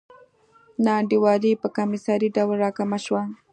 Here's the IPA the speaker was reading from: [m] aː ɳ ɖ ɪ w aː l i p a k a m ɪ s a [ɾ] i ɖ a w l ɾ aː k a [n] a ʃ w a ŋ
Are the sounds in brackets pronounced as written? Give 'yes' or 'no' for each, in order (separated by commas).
no, yes, no